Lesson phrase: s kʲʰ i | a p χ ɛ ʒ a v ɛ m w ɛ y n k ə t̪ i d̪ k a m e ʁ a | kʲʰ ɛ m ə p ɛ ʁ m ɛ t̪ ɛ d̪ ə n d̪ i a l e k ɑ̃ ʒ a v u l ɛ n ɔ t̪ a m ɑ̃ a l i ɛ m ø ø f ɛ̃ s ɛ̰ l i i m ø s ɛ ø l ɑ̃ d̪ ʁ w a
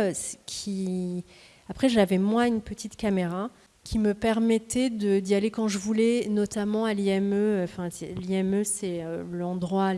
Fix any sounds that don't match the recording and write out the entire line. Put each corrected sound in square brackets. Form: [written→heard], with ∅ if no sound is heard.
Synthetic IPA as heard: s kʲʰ i | a p χ ɛ ʒ a v ɛ m w [ɛ→ɛ̃] y n [k→p] ə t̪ i [d̪→t̪] k a m e ʁ a | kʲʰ [ɛ→i] m ə p ɛ ʁ m ɛ t̪ ɛ d̪ ə [n→∅] d̪ i a l e k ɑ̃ ʒ [a→ə] v u l ɛ n ɔ t̪ a m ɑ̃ a l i ɛ m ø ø f ɛ̃ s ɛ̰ l i [i→ɛ] m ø s ɛ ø l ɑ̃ d̪ ʁ w a